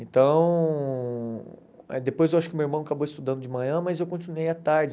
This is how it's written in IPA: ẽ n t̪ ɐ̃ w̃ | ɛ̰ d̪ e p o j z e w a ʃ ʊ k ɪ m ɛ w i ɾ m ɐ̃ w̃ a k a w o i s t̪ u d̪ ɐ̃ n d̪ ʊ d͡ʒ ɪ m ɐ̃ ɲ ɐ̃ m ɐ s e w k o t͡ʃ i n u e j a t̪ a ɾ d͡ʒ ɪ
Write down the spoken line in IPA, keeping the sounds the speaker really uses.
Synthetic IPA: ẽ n t̪ ɐ̃ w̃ | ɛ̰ d̪ e p o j z e w a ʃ ʊ k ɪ m e w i ɾ m ɐ̃ w̃ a k a b o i s t̪ u d̪ ɐ̃ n d̪ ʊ d͡ʒ ɪ m ɐ̃ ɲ ɐ̃ m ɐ z e w k õ t͡ʃ i n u e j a t̪ a ɾ d͡ʒ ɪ